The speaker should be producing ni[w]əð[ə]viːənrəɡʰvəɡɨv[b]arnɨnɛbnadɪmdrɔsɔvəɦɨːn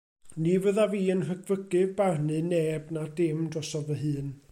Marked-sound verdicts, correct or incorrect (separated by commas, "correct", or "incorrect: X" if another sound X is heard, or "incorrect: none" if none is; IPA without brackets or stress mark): incorrect: v, incorrect: a, correct